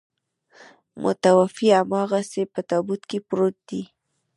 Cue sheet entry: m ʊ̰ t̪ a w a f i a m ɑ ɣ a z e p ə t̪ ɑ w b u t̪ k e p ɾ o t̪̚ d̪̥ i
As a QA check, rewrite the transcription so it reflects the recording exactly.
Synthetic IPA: m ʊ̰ t̪ a w a f i a m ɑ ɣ a s e p ə t̪ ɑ b u t̪ k e p ɾ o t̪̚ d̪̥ i